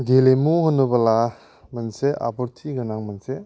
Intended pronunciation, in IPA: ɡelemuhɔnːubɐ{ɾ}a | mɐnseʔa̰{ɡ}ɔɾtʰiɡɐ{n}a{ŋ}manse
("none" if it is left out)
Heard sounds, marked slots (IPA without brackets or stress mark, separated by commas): l, b, n, ŋ